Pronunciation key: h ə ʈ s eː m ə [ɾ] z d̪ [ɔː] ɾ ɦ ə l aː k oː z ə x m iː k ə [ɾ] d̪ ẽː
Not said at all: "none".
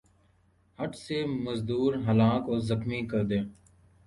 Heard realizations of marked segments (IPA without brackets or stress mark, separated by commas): none, uː, ɾ